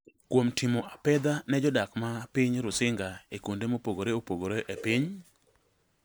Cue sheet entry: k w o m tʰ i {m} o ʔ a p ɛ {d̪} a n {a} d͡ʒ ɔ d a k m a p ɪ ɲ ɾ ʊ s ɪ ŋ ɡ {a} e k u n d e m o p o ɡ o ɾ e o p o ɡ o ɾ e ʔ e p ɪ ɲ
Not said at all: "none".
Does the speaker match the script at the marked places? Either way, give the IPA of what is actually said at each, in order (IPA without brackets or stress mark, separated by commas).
m, d̪, ɛ, a